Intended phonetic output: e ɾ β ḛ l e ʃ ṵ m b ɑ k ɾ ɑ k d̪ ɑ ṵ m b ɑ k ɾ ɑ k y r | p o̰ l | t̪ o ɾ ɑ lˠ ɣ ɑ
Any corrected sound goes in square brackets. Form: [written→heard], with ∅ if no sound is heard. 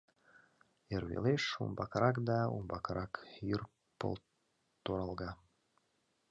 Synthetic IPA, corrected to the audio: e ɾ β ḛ l e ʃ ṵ m b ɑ k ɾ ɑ k d̪ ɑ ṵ m b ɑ k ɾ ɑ k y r | p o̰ l | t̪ o ɾ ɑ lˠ ɣ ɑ